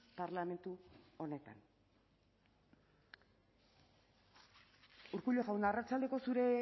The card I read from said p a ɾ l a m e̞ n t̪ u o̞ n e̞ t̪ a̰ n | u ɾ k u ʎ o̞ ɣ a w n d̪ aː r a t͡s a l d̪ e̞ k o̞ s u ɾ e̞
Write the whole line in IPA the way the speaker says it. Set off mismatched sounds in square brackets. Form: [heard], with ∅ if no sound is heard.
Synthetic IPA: p a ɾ l a m e̞ n t̪ u o̞ n e̞ t̪ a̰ n | u ɾ k u ʎ o̞ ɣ a w n d̪ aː r a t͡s a l d̪ e̞ k o̞ s u ɾ e̞